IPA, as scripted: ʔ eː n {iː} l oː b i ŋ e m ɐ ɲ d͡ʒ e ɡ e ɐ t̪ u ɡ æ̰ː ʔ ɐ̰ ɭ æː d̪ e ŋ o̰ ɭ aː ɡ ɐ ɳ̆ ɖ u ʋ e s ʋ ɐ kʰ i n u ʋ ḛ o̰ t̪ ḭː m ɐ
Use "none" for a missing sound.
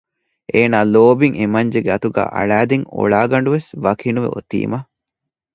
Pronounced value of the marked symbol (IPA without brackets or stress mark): aː